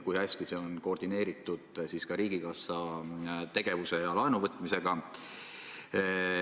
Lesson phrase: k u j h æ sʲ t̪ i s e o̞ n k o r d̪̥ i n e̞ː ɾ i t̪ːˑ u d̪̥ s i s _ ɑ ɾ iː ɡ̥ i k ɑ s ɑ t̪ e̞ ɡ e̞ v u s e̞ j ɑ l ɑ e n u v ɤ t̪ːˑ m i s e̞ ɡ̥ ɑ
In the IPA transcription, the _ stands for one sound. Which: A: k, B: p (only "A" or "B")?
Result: A